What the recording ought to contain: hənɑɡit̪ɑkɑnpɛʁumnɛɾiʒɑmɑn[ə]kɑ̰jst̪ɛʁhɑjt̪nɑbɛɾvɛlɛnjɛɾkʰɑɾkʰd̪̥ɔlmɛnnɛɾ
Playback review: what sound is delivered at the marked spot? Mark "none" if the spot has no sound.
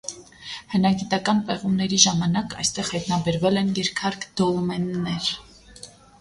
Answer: ɑ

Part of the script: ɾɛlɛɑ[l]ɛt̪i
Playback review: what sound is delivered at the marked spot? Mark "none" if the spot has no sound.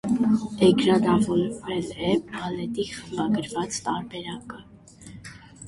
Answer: l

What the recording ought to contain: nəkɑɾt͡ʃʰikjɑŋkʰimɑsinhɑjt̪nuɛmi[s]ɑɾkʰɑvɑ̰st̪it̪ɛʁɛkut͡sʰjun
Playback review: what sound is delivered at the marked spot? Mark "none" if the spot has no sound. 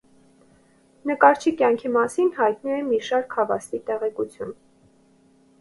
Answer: ʃ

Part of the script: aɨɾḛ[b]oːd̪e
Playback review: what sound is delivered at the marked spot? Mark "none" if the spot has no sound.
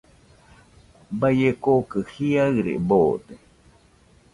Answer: b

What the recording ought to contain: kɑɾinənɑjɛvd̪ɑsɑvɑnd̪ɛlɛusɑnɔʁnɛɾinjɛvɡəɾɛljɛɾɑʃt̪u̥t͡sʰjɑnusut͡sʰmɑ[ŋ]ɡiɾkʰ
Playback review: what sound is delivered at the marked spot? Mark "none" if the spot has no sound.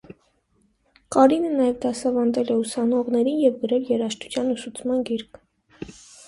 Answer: n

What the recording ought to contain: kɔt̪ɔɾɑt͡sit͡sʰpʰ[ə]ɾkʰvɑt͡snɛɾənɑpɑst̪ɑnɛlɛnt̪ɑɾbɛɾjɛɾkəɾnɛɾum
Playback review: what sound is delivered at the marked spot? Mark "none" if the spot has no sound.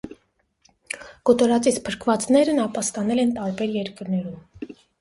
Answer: ə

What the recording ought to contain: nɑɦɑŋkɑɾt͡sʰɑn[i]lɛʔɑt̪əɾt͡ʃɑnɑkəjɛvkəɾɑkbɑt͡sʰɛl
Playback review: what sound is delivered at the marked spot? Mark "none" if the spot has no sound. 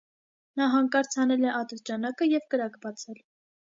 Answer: ɛ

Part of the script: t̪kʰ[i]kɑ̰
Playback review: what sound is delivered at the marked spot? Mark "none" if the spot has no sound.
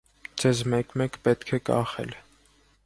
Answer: ɛ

